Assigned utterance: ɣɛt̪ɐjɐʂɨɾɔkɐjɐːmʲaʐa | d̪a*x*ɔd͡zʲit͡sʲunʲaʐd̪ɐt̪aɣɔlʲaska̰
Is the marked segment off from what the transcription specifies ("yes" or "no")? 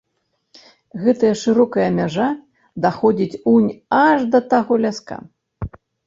no